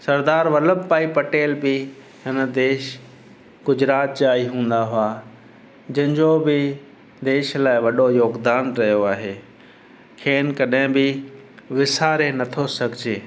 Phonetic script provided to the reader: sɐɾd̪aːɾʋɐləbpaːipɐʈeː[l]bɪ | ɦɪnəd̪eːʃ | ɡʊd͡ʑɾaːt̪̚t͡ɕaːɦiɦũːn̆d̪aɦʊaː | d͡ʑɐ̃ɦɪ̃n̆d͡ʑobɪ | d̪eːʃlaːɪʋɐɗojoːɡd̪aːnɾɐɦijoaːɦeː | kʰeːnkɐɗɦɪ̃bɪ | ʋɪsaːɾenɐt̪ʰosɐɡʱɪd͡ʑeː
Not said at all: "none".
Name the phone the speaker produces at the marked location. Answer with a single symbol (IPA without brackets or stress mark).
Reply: l